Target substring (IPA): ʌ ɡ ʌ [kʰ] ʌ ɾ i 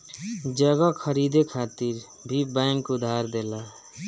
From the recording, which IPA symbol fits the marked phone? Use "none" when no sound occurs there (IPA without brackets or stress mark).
kʰ